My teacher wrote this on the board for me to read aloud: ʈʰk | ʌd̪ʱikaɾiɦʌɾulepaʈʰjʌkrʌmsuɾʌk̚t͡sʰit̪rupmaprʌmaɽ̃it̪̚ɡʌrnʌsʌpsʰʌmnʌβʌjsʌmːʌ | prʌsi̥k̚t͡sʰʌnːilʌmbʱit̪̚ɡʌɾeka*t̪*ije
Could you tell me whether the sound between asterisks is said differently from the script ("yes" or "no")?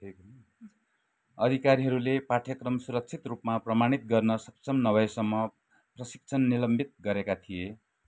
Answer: yes